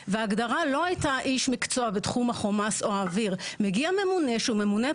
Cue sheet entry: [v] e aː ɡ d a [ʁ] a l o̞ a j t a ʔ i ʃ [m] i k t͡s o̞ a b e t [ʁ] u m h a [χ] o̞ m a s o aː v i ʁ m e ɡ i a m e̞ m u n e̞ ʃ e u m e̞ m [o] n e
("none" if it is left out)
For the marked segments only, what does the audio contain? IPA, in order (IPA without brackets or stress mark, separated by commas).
v, ʁ, m, χ, χ, u